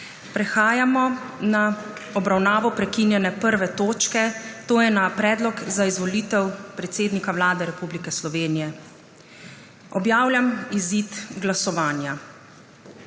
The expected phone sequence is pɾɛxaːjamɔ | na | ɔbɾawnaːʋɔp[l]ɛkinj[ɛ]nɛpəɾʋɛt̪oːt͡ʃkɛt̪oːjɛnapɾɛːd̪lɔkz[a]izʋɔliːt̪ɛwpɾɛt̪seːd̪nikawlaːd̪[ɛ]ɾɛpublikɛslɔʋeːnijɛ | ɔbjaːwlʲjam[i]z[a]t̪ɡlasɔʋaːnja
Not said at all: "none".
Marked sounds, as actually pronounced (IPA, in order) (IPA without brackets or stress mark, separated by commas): ɾ, ɛ, a, ɛ, i, i